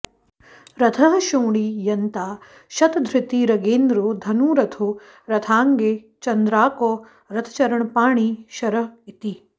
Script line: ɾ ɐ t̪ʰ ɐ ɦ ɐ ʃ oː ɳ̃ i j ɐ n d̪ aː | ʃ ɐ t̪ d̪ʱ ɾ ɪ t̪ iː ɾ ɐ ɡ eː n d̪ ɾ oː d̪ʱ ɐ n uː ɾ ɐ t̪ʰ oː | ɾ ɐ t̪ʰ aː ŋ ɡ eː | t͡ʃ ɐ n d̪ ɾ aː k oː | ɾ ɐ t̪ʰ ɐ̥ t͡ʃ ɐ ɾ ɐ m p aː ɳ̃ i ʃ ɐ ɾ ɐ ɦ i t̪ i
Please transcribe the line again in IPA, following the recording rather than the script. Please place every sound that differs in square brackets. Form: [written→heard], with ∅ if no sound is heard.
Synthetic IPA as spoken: ɾ ɐ t̪ʰ ɐ ɦ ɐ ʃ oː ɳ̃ i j ɐ n [d̪→t̪] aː | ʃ ɐ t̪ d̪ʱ ɾ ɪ t̪ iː ɾ ɐ ɡ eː n d̪ ɾ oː d̪ʱ ɐ n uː ɾ ɐ t̪ʰ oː | ɾ ɐ t̪ʰ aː ŋ ɡ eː | t͡ʃ ɐ n d̪ ɾ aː k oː | ɾ ɐ t̪ʰ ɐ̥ t͡ʃ ɐ ɾ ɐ [m→ɳ] p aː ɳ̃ i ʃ ɐ ɾ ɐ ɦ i t̪ i